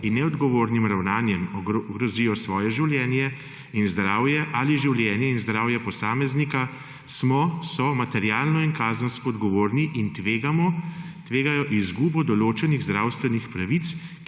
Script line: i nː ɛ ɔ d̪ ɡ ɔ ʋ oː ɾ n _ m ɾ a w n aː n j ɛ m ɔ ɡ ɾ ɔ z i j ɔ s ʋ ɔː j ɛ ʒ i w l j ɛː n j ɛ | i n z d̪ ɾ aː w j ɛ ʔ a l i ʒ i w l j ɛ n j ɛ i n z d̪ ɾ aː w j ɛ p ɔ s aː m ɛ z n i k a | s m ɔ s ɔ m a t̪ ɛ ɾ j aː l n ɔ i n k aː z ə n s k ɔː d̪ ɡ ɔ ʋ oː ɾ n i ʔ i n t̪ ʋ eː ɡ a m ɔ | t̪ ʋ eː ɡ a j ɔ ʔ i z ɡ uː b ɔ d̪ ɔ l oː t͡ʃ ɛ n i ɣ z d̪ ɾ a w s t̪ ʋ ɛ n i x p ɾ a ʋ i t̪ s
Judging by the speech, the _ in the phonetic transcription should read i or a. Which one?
i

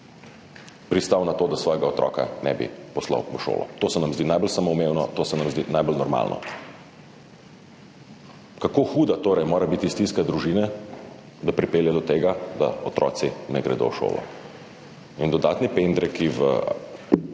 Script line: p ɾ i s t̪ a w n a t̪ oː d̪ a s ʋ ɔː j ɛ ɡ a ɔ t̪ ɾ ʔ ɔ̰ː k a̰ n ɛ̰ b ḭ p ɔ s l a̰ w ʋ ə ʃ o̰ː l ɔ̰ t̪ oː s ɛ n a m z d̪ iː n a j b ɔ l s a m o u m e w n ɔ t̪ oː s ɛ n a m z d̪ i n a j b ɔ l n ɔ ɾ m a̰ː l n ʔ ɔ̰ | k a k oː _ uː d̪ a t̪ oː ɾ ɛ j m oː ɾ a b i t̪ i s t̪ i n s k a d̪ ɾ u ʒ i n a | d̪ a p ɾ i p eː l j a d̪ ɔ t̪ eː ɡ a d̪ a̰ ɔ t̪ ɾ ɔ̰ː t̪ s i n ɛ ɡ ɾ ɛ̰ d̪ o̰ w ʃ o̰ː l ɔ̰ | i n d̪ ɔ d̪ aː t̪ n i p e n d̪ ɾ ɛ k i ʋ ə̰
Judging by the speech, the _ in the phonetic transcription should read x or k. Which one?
x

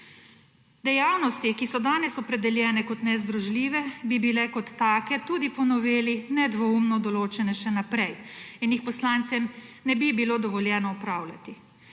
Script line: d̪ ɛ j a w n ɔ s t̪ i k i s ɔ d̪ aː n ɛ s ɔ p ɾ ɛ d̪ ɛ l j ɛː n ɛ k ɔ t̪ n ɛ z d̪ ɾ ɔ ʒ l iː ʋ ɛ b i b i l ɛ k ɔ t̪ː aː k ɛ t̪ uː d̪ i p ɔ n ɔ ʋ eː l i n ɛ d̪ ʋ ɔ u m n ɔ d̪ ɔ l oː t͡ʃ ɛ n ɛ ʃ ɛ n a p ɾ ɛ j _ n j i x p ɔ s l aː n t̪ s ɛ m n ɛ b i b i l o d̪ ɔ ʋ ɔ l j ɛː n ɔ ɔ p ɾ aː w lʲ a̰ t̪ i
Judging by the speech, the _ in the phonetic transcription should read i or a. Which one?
i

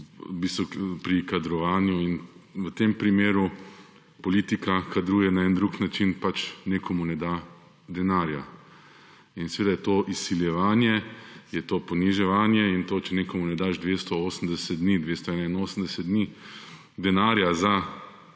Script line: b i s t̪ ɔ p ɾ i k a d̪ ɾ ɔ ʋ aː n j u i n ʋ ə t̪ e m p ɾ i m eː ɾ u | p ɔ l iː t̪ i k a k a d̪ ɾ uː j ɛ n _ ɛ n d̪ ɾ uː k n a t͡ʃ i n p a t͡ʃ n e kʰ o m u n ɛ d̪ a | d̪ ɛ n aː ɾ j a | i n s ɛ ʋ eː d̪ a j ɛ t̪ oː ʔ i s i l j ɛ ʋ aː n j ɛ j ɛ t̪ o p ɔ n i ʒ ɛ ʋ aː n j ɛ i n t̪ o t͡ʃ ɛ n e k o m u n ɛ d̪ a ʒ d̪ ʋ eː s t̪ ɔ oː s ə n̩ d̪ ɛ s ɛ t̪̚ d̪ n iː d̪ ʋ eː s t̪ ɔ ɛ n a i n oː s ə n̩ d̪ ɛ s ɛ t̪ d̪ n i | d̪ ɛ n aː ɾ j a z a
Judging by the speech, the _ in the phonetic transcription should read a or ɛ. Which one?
a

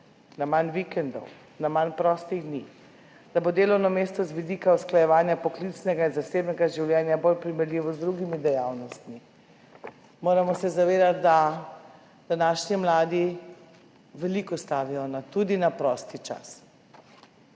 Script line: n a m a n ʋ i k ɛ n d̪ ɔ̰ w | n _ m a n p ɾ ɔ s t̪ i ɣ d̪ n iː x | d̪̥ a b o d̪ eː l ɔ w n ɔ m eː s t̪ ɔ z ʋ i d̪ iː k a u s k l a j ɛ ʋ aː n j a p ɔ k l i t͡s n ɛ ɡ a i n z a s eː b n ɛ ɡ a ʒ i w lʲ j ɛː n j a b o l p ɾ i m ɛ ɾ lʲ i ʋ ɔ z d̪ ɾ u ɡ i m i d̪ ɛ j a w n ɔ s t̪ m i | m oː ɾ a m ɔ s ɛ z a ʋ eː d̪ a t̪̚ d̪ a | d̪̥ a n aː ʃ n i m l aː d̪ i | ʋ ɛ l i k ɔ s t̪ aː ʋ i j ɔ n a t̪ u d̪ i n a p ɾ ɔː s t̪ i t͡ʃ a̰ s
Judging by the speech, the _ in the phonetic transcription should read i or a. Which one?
a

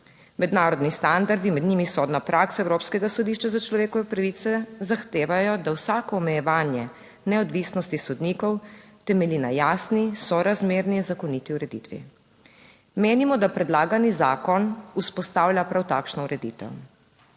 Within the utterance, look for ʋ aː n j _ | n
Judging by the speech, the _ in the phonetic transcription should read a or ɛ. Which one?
ɛ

